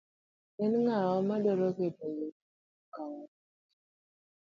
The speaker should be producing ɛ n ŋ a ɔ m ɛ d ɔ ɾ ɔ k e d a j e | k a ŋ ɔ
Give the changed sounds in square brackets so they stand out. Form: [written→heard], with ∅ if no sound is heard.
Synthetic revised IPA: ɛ n ŋ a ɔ m [ɛ→a] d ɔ ɾ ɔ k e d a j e | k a ŋ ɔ